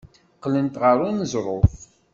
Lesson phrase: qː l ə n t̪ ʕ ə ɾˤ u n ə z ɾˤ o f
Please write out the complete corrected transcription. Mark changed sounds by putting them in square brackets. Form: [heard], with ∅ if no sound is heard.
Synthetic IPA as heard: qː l ə n t̪ [ʁ] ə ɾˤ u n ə z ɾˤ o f

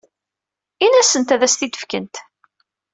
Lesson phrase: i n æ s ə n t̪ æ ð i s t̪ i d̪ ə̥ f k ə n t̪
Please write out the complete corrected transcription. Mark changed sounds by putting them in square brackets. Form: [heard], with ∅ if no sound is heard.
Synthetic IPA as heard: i n æ s ə n t̪ æ ð [æ] s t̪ i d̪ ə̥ f k ə n t̪

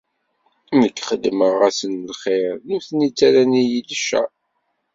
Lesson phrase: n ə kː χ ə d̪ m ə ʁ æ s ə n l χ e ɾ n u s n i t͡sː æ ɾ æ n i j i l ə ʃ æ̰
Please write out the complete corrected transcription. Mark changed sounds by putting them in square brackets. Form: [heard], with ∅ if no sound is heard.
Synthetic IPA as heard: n ə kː χ ə d̪ m ə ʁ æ s ə n l χ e ɾ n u [θ] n i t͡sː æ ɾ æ n i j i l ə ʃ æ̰

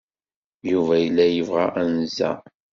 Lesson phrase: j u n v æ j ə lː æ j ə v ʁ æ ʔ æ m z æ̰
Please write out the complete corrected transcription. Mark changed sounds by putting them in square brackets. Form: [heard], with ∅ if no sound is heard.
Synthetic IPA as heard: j u [∅] v æ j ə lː æ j ə v ʁ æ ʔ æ [n] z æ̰

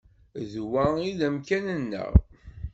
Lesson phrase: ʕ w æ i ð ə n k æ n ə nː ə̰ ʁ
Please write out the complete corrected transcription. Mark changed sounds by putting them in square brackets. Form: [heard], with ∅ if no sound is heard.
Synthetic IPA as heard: [ð] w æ i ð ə [m] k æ n ə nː ə̰ ʁ

